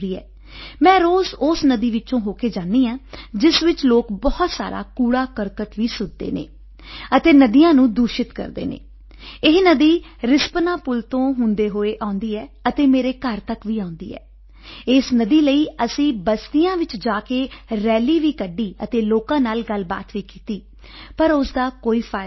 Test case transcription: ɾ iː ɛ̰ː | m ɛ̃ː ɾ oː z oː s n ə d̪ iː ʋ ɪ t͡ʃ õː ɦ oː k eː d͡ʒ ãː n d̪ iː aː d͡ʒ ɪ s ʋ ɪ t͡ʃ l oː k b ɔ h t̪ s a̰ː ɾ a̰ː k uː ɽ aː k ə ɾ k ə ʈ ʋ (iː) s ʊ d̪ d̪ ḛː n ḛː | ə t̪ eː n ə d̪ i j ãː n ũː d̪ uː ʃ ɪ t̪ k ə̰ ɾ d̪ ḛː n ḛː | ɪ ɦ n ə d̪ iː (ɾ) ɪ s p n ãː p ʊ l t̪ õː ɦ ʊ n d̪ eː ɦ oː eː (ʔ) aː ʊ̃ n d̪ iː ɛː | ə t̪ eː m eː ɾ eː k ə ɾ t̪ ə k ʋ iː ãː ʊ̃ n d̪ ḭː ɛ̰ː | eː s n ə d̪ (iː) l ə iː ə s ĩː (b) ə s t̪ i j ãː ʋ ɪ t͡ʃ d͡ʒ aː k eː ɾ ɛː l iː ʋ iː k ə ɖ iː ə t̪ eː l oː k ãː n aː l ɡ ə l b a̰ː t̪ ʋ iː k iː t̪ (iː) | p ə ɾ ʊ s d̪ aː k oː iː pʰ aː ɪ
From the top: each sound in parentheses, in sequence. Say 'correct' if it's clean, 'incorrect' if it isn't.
correct, correct, correct, correct, correct, correct

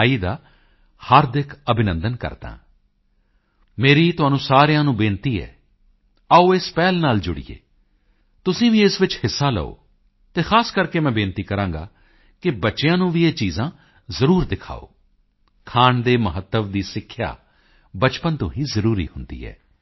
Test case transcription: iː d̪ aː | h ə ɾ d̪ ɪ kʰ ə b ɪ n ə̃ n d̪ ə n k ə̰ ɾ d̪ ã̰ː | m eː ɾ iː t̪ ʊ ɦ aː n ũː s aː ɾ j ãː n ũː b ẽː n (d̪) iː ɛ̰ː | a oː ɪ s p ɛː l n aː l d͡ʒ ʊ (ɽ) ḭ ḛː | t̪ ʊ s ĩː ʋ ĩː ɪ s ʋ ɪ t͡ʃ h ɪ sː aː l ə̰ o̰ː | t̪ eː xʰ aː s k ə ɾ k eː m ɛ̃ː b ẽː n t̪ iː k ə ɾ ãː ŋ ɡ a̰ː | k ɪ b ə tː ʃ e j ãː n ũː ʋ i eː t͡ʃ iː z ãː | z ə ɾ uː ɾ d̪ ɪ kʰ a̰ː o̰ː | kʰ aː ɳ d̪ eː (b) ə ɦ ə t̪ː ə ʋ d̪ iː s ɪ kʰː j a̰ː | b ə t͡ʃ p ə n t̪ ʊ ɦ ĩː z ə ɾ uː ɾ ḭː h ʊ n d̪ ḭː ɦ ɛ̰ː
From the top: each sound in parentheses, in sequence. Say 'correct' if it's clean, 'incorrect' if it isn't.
incorrect, correct, incorrect

